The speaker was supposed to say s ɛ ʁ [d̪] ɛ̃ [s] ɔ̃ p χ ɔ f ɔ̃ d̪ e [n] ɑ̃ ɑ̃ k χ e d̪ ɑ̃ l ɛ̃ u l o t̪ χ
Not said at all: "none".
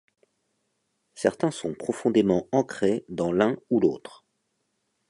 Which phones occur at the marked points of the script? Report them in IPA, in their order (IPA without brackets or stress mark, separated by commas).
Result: t̪, s, m